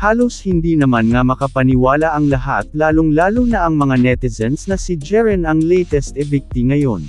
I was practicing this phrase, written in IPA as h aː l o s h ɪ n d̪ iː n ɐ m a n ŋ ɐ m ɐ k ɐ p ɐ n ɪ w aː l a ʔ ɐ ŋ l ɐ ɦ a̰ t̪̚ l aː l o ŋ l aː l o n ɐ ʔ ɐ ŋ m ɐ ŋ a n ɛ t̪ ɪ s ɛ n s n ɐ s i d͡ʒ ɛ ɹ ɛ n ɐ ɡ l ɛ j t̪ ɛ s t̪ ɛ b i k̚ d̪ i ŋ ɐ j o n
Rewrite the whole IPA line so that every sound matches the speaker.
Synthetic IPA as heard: h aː l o s h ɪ n d̪ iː n ɐ m a n ŋ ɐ m ɐ k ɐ p ɐ n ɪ w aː l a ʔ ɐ ŋ l ɐ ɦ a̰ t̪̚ l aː l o ŋ l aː l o n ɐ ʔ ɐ ŋ m ɐ ŋ a n ɛ t̪ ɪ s ɛ n s n ɐ s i d͡ʒ ɛ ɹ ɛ n ɐ ŋ l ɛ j t̪ ɛ s t̪ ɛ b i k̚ t̪ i ŋ ɐ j o n